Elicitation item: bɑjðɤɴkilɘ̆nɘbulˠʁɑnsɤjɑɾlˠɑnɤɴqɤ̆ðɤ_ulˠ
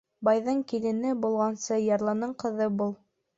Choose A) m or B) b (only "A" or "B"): B